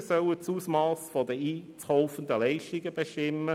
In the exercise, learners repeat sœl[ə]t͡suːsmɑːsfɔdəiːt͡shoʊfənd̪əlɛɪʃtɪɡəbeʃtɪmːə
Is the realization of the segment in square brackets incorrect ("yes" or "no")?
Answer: no